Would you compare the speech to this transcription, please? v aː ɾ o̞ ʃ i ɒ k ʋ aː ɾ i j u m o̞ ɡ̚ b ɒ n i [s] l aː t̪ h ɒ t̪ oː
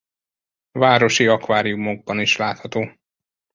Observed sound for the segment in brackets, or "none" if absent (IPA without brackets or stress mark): ʃ